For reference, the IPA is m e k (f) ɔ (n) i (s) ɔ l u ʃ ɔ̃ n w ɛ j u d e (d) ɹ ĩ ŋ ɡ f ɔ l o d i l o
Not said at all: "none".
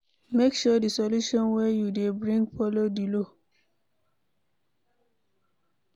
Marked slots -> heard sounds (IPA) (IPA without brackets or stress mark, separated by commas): ʃ, d, s, b